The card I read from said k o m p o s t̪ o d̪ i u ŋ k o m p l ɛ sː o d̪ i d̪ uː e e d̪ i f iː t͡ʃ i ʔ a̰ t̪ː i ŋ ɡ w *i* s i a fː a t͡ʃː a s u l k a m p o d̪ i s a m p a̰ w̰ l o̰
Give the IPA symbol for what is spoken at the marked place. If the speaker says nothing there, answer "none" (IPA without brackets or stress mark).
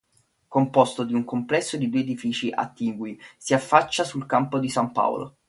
i